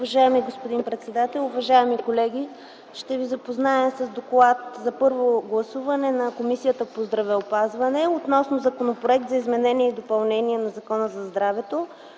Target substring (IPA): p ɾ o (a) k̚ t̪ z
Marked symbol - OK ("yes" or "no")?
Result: no